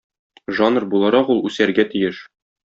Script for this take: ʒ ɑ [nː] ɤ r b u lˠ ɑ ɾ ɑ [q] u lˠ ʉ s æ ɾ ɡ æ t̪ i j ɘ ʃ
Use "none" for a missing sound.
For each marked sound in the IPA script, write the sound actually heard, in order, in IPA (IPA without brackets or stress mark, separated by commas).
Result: n, q